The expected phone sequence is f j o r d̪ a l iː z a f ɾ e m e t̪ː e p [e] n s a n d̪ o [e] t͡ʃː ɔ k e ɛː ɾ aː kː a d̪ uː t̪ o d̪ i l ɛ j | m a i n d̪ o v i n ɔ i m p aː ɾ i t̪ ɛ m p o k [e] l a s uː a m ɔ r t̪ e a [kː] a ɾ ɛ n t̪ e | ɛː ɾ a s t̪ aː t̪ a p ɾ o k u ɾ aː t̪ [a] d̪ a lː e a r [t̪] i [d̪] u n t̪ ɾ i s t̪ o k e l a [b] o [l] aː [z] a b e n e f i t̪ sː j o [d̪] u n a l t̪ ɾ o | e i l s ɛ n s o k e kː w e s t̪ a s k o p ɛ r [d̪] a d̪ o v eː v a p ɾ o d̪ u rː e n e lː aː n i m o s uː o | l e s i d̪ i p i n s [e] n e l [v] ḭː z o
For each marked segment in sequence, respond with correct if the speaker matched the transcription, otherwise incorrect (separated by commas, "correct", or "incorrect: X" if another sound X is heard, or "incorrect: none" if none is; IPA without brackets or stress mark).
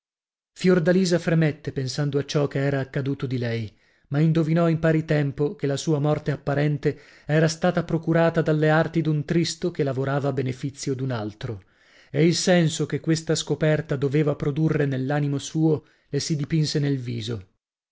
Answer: correct, incorrect: a, correct, incorrect: pː, correct, correct, correct, incorrect: v, incorrect: ɾ, incorrect: v, correct, incorrect: t̪, correct, correct